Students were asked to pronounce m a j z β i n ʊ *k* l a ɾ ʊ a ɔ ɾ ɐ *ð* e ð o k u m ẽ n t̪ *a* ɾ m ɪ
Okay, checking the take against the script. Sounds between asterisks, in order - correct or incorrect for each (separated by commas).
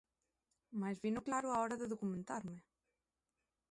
correct, correct, correct